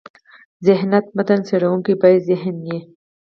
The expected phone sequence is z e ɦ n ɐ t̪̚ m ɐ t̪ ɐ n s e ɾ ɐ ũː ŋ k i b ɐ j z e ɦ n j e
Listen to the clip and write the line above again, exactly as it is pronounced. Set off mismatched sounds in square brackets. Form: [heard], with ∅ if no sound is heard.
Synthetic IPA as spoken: z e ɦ n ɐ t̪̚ m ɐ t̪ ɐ n s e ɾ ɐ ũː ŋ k i b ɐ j z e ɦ n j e